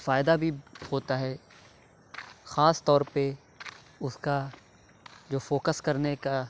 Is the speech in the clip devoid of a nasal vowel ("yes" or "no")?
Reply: yes